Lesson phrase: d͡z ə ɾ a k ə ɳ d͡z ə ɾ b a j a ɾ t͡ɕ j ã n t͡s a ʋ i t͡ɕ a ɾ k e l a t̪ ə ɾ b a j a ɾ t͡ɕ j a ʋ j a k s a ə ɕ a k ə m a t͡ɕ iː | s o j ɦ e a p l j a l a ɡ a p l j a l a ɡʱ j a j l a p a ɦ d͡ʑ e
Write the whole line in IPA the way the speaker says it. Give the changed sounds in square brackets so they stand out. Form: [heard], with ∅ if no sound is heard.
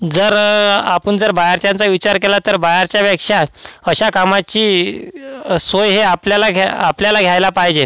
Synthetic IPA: d͡z ə ɾ a [p] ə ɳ d͡z ə ɾ b a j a ɾ t͡ɕ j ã n t͡s a ʋ i t͡ɕ a ɾ k e l a t̪ ə ɾ b a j a ɾ t͡ɕ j a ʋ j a k [ʂ] a ə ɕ a k [a] m a t͡ɕ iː | s o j ɦ e a p l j a l a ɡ a p l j a l a ɡʱ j a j l a p a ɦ d͡ʑ e